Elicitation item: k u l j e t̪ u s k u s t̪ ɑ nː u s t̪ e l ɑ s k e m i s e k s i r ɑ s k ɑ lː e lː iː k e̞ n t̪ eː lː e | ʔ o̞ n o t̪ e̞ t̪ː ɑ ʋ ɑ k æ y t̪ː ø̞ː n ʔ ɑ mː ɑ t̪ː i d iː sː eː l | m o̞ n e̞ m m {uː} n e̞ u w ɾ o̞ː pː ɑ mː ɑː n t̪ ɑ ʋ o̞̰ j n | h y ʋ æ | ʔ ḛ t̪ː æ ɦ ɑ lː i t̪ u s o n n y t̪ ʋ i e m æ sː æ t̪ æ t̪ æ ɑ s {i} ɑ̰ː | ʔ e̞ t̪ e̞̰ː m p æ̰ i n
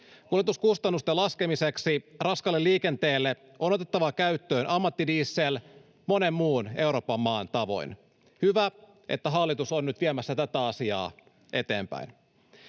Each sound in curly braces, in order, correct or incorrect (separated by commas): correct, correct